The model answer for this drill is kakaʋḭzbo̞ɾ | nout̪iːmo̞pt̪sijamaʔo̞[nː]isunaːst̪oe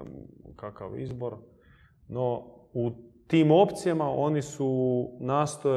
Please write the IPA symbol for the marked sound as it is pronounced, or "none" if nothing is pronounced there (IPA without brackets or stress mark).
n